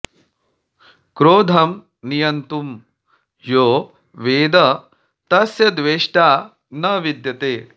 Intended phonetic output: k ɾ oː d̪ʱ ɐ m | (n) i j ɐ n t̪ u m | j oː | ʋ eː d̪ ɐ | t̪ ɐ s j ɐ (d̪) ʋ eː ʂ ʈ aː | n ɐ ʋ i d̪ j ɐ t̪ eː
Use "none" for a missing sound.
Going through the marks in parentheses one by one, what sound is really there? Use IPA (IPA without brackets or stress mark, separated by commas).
n, d̪